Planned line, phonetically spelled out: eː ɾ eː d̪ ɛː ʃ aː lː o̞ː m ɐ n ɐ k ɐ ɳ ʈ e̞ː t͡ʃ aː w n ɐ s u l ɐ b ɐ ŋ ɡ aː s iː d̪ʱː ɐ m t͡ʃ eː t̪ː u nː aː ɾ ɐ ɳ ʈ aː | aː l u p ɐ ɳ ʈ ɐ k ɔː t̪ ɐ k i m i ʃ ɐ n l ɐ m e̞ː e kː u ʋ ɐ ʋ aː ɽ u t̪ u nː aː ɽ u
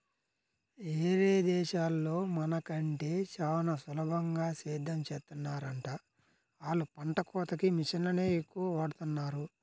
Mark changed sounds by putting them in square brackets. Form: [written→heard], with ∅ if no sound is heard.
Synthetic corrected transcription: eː ɾ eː d̪ ɛː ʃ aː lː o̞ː m ɐ n ɐ k ɐ ɳ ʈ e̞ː t͡ʃ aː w n ɐ s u l ɐ b ɐ ŋ ɡ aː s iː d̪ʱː ɐ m t͡ʃ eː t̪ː u nː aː ɾ ɐ ɳ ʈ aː | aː l u p ɐ ɳ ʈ ɐ k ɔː t̪ ɐ k i m i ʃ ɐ n l ɐ [m→n] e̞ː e kː u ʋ ɐ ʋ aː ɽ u t̪ u nː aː [ɽ→ɾ] u